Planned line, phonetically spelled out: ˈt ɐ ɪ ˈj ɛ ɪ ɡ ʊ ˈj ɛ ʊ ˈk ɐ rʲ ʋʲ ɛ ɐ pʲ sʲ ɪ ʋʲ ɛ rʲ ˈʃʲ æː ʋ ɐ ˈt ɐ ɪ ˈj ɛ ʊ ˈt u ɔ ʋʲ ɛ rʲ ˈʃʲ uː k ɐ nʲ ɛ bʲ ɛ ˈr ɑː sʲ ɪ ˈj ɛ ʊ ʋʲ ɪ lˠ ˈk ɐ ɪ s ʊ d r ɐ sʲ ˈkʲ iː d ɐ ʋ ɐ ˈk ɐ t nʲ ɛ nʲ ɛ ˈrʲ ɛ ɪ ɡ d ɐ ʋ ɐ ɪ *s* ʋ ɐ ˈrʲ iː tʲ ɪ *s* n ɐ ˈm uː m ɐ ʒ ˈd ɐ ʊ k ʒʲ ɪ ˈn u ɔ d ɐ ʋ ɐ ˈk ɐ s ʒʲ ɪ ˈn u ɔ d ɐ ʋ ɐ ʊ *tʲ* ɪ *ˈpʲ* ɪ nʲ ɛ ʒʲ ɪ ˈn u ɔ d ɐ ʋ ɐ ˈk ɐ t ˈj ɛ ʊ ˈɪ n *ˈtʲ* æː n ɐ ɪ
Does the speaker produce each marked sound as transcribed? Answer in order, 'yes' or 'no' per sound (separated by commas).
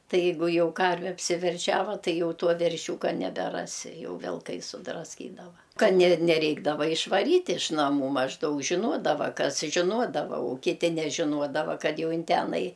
no, no, no, no, yes